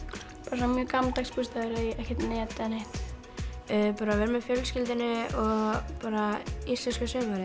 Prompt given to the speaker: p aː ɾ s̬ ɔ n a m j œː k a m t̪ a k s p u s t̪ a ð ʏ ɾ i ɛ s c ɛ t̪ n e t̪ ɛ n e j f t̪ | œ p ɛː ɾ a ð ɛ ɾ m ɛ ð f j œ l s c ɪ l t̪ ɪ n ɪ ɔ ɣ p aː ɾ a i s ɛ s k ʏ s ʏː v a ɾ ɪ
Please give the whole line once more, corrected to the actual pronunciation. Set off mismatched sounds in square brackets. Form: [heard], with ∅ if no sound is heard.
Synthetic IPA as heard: p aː ɾ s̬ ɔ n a m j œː k a m t̪ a k s p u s t̪ a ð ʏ ɾ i ɛ [h] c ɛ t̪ n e t̪ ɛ n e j [h] t̪ | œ p [aː] ɾ a [v] ɛ ɾ m ɛ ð f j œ l s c ɪ l t̪ ɪ n ɪ ɔ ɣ p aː ɾ a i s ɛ s k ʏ s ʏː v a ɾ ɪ